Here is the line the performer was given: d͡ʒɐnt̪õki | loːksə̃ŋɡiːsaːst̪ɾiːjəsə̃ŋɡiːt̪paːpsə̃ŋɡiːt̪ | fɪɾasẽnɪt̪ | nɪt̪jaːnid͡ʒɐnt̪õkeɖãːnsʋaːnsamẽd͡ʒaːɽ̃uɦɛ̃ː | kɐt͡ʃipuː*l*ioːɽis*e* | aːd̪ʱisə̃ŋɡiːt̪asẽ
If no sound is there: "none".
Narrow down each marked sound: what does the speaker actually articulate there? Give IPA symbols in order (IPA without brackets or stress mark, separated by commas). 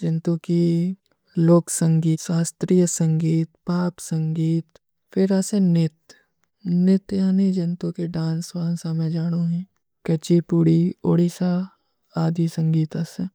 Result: ɽ, a